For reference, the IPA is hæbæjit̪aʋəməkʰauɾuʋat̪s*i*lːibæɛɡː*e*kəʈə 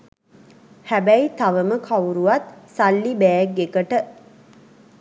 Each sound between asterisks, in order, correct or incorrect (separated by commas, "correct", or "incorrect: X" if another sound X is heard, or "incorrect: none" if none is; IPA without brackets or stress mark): incorrect: a, correct